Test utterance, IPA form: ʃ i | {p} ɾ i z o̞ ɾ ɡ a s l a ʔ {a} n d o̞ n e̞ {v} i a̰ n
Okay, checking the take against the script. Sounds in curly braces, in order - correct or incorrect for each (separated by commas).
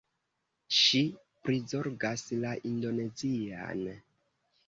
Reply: correct, incorrect, incorrect